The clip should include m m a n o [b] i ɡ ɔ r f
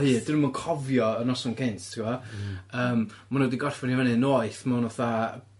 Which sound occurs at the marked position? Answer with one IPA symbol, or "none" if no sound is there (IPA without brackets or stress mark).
d